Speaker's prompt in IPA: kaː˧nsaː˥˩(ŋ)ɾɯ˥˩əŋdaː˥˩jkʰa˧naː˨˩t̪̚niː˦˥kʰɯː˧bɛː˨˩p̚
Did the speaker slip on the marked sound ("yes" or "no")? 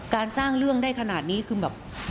no